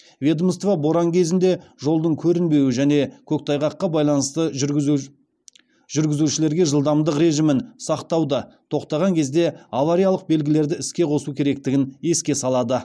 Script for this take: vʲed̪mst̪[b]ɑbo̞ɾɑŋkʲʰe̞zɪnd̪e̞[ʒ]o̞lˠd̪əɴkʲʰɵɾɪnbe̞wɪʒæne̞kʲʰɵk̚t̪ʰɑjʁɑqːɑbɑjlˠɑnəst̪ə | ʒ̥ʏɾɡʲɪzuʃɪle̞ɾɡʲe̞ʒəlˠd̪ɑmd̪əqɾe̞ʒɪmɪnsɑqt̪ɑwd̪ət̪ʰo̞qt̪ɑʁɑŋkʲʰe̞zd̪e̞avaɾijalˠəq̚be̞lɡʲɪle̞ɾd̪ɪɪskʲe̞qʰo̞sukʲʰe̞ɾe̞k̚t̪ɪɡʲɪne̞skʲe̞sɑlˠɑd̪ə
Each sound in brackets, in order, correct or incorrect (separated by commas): incorrect, correct